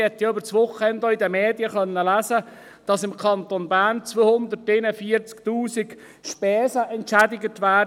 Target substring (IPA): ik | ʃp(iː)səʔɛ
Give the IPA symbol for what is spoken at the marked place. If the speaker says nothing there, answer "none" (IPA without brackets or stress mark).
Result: ɛː